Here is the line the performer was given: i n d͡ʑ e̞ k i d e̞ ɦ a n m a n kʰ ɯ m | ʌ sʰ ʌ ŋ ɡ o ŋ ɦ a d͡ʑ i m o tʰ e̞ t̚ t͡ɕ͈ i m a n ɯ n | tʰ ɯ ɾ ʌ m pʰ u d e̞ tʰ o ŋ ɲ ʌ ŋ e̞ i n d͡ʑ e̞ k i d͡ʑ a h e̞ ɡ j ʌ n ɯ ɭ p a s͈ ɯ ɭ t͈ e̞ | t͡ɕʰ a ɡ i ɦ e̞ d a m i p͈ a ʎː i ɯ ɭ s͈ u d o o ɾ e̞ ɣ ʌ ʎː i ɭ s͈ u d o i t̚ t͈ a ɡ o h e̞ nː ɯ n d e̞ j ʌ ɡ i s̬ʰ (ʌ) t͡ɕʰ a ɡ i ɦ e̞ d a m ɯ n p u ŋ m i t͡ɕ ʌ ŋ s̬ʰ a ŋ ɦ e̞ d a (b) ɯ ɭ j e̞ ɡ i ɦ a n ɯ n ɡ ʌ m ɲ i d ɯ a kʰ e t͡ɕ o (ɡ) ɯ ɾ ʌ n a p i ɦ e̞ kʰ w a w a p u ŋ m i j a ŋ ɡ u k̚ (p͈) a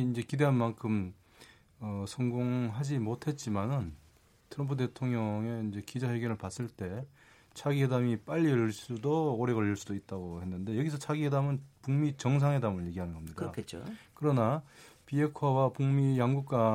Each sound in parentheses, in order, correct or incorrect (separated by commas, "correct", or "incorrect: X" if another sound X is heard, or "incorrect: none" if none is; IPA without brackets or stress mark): correct, incorrect: m, incorrect: k, incorrect: k͈